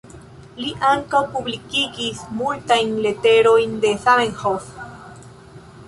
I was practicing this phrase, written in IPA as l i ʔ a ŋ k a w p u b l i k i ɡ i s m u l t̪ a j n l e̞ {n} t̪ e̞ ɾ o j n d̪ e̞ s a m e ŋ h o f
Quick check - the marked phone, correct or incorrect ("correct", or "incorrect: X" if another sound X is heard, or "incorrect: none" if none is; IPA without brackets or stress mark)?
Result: incorrect: none